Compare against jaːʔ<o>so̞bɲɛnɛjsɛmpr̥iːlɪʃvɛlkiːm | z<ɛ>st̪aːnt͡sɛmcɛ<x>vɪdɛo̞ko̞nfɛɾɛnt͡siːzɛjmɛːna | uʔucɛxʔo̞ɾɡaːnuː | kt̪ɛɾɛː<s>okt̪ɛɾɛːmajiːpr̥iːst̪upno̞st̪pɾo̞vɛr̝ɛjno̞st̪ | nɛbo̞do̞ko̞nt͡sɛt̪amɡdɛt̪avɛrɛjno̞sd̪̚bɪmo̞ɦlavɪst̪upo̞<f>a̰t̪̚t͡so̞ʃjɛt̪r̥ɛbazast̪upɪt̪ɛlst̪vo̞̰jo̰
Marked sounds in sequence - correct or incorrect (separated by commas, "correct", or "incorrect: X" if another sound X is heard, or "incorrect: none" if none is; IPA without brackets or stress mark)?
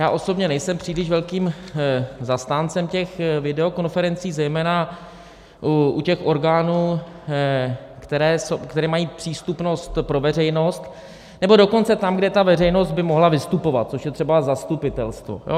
correct, incorrect: a, correct, correct, incorrect: v